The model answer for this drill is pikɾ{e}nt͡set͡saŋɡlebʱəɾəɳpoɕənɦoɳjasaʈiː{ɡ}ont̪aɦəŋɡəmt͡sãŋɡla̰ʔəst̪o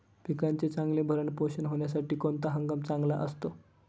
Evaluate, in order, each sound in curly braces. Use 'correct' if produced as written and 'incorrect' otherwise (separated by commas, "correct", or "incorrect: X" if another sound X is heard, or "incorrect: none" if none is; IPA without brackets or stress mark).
incorrect: a, incorrect: k